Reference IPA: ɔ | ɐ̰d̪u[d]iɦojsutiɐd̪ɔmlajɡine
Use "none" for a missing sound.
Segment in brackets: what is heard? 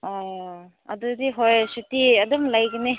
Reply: d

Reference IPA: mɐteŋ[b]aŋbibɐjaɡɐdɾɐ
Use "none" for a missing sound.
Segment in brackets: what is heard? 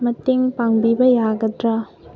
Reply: p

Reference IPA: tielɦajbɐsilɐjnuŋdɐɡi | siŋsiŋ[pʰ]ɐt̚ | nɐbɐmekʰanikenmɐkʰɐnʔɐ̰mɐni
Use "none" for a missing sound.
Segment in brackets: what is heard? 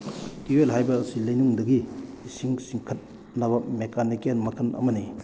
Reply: kʰ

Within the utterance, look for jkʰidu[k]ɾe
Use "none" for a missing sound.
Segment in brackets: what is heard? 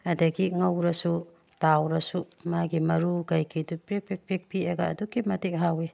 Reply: p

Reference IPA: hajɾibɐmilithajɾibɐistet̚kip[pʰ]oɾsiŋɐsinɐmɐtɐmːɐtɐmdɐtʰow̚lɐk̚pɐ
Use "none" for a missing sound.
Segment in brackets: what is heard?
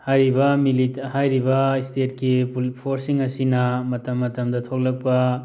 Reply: pʰ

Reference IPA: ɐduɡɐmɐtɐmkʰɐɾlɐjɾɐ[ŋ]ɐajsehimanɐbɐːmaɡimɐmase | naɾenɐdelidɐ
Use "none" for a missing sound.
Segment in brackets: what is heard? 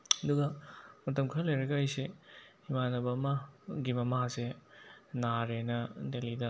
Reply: ɡ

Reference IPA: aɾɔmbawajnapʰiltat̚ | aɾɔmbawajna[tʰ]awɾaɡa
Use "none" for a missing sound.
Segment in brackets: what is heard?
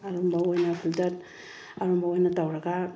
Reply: t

